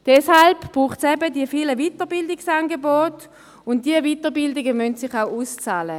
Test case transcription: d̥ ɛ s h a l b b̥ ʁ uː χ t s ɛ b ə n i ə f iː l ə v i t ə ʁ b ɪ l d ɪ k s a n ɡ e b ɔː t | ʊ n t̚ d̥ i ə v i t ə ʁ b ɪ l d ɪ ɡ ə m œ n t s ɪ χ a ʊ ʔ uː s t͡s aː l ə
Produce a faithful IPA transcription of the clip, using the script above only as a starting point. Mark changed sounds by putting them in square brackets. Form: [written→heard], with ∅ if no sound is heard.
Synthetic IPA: d̥ ɛ s h a l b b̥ ʁ uː χ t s ɛ b ə [n→d] i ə f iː l ə v i t ə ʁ b ɪ l d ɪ k s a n ɡ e b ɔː t | ʊ n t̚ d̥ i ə v i t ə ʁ b ɪ l d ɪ ɡ ə m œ n t s ɪ χ a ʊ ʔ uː s t͡s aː l ə